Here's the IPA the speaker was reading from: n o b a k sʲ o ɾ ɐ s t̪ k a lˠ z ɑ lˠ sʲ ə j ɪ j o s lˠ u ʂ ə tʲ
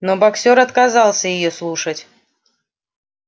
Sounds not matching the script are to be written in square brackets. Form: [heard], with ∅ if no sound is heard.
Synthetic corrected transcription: n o b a k sʲ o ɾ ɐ [∅] t̪ k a [∅] z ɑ lˠ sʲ ə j ɪ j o s lˠ u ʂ ə tʲ